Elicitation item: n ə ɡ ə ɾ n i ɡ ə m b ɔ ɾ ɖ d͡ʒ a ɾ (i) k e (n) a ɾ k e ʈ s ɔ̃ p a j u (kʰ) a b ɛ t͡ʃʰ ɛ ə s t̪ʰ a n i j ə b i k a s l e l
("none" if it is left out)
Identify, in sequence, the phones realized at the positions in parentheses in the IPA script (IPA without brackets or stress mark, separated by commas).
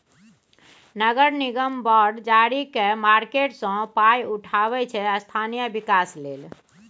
i, m, ʈʰ